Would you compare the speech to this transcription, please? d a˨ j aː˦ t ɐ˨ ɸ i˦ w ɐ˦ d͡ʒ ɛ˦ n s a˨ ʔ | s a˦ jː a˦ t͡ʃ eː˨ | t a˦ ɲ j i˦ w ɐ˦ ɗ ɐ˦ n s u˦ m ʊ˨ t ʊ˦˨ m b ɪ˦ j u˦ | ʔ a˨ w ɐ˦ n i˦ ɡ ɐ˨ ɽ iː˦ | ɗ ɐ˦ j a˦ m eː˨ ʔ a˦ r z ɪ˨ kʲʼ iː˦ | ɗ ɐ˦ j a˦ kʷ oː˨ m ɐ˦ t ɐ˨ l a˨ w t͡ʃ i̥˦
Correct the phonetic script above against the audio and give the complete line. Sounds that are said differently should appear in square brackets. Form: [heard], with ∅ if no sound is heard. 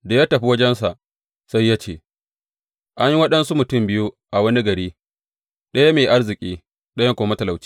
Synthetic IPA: d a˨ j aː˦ t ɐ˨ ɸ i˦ w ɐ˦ d͡ʒ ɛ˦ n s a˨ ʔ | s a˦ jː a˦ t͡ʃ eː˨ | [ʔ] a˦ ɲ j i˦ w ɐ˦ ɗ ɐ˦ n s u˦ m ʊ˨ t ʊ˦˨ m b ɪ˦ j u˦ | ʔ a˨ w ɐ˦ n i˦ ɡ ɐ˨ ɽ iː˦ | ɗ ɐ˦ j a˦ m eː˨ ʔ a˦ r z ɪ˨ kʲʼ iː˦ | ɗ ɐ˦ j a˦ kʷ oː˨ m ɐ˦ t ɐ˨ l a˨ w t͡ʃ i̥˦